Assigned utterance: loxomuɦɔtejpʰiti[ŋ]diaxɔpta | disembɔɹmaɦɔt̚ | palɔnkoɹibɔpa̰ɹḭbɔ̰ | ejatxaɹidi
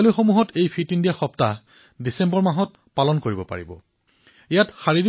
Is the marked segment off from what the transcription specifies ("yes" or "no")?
yes